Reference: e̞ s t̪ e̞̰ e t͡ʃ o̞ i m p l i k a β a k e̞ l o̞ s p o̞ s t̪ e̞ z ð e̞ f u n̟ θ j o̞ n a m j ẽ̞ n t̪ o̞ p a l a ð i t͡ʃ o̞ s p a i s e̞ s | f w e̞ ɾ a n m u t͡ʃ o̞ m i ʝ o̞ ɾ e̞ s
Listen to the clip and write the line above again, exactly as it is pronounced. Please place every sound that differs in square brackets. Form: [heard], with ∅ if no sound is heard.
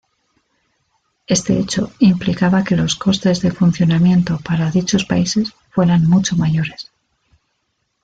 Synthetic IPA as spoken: e̞ s t̪ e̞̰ e t͡ʃ o̞ i m p l i k a β a k e̞ l o̞ s [k] o̞ s t̪ e̞ z ð e̞ f u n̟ θ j o̞ n a m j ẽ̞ n t̪ o̞ p a [ɾ] a ð i t͡ʃ o̞ s p a i s e̞ s | f w e̞ ɾ a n m u t͡ʃ o̞ m [a] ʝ o̞ ɾ e̞ s